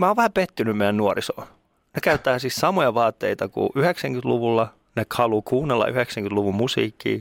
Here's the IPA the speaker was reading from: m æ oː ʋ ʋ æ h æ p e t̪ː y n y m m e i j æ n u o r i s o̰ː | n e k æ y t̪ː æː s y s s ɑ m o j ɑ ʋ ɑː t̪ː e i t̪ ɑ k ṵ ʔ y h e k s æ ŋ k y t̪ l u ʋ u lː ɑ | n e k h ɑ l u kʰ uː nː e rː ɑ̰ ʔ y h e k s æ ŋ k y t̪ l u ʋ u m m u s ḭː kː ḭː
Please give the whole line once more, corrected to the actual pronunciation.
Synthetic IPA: m æ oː ʋ ʋ æ h æ p e t̪ː y n y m m e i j æ n u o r i s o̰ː | n e k æ y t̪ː æː s i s s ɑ m o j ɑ ʋ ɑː t̪ː e i t̪ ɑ k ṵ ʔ y h e k s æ ŋ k y t̪ l u ʋ u lː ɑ | n e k h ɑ l u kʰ uː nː e lː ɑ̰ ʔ y h e k s æ ŋ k y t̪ l u ʋ u m m u s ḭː kː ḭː